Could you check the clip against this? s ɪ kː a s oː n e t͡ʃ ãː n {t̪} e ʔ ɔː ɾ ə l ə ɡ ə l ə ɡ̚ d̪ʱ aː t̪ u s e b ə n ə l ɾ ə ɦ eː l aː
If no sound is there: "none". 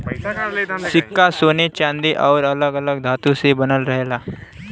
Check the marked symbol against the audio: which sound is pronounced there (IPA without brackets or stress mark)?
d̪